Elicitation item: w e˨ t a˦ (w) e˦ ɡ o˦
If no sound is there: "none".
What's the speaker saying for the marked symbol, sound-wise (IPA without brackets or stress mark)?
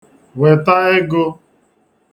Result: none